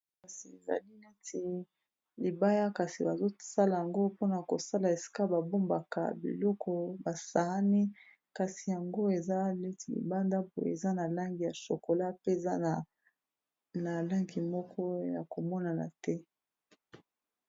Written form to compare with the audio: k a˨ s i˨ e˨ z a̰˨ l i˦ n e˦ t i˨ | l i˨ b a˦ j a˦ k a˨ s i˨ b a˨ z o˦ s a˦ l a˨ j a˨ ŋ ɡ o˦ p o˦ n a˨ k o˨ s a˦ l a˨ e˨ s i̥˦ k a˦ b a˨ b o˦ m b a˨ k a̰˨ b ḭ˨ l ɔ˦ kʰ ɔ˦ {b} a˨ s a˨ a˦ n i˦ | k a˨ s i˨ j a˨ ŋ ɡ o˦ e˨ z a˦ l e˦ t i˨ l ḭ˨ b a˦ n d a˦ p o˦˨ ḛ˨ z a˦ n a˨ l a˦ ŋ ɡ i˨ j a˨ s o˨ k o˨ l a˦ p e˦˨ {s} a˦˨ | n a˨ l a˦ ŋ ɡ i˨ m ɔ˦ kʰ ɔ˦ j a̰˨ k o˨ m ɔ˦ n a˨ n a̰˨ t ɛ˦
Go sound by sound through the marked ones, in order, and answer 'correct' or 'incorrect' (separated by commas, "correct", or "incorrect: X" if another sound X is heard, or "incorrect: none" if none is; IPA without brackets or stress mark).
correct, incorrect: z